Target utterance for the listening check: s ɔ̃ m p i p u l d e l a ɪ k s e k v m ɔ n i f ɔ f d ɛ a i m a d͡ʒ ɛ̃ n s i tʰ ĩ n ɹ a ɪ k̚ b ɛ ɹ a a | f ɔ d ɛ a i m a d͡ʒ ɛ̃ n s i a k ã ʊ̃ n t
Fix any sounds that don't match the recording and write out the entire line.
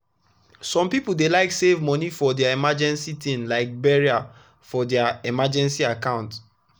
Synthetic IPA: s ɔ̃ m p i p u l d e l a ɪ k s e v m ɔ n i f ɔ d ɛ a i m a d͡ʒ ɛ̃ n s i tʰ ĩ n l a ɪ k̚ b ɛ ɹ i a | f ɔ d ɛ a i m a d͡ʒ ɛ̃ n s i a k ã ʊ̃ n t